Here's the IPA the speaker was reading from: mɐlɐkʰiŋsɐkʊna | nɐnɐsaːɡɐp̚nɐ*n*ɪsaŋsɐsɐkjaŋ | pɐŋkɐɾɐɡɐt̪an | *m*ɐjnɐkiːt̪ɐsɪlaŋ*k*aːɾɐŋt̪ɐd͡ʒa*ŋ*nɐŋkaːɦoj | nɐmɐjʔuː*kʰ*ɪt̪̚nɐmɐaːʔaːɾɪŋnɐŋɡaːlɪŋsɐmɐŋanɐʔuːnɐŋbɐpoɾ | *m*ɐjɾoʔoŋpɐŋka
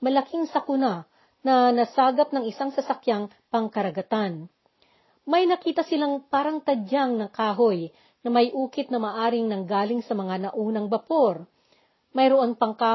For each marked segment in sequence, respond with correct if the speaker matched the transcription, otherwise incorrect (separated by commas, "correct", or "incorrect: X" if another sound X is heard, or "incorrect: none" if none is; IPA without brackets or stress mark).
incorrect: ŋ, correct, incorrect: p, correct, incorrect: k, correct